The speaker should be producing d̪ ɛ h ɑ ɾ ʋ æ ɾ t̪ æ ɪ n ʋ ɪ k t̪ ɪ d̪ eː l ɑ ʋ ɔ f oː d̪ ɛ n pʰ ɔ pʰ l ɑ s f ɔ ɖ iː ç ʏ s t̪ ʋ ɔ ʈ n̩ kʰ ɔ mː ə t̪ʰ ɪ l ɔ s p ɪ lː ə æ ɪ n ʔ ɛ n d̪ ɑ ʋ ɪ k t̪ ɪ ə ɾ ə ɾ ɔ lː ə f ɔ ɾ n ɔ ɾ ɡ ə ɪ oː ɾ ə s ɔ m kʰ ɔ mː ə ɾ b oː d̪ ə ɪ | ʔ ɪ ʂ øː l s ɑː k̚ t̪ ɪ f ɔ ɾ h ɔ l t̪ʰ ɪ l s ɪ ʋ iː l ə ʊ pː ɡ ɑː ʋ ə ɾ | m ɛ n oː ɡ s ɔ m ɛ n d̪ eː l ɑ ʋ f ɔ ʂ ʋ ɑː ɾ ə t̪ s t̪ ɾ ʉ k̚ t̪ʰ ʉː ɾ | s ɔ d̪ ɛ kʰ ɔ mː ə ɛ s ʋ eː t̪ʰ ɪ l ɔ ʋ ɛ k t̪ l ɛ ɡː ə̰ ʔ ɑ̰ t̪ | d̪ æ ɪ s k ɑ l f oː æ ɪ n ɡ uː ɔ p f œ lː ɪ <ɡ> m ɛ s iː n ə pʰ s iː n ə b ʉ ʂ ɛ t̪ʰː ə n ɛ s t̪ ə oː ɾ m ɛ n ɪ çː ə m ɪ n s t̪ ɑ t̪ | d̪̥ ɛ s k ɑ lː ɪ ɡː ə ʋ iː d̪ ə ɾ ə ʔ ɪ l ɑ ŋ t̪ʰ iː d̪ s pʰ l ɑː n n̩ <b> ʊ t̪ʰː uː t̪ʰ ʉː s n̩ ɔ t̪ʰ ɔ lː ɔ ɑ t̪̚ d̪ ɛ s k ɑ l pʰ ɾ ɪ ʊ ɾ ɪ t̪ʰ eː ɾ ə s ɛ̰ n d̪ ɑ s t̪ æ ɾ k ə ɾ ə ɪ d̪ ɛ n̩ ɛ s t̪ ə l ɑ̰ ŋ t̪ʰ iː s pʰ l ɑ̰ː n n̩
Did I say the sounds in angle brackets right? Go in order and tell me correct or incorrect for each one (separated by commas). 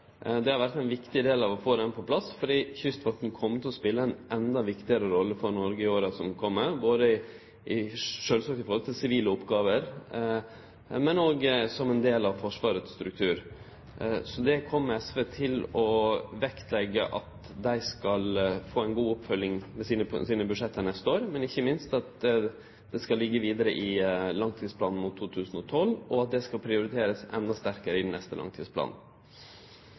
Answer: incorrect, incorrect